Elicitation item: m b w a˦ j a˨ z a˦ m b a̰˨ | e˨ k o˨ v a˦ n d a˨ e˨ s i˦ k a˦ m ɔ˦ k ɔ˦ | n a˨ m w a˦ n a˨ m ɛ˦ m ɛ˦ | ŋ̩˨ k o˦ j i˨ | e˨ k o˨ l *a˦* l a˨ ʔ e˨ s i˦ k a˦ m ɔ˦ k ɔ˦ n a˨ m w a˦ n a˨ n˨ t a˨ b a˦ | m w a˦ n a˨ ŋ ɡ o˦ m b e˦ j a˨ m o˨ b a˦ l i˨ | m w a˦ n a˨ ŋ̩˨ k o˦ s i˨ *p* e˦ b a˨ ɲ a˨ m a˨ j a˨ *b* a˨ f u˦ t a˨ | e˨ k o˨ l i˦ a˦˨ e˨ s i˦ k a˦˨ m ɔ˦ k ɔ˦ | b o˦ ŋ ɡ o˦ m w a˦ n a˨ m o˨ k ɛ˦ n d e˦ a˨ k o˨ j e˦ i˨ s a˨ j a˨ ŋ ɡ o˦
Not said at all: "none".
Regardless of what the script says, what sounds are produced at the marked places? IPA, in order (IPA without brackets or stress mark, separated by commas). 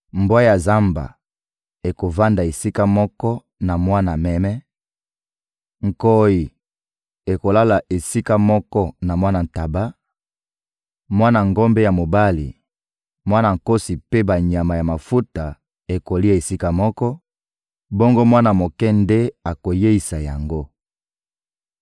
a˦, p, m